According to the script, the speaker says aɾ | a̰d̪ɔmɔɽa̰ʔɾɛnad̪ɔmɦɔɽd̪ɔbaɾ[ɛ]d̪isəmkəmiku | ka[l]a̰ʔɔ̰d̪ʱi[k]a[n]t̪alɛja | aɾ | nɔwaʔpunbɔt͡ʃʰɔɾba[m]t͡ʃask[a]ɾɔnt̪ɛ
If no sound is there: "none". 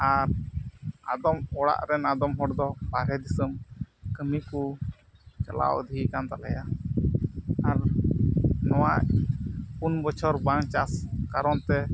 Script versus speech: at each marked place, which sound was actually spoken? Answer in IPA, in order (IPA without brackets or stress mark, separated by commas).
ɛ, l, k, n, ŋ, a